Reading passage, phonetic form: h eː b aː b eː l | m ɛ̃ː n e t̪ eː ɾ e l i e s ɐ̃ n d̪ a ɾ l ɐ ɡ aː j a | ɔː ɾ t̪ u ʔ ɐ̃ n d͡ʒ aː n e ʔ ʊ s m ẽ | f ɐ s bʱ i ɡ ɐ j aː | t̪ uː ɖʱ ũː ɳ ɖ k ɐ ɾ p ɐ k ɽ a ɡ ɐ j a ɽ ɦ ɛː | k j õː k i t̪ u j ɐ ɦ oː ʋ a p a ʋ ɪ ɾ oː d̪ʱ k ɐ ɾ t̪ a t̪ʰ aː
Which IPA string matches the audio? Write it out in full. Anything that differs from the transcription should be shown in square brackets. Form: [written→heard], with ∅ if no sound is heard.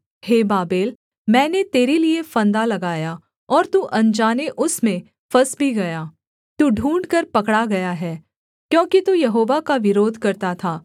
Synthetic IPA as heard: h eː b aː b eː l | m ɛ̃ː n e t̪ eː ɾ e l i e [s→f] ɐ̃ n d̪ a [ɾ→∅] l ɐ ɡ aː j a | ɔː ɾ t̪ u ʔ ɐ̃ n d͡ʒ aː n e ʔ ʊ s m ẽ | f ɐ s bʱ i ɡ ɐ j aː | t̪ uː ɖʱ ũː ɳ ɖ k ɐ ɾ p ɐ k ɽ a ɡ ɐ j a [ɽ→∅] ɦ ɛː | k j õː k i t̪ u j ɐ ɦ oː ʋ a [p→k] a ʋ ɪ ɾ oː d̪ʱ k ɐ ɾ t̪ a t̪ʰ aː